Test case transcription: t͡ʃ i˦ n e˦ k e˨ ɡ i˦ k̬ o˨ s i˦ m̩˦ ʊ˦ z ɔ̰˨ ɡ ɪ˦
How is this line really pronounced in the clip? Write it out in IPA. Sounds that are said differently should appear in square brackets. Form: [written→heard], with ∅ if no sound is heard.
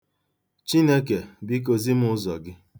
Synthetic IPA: t͡ʃ i˦ n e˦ k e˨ [ɡ→b] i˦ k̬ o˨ [s→z] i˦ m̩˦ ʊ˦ z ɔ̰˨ ɡ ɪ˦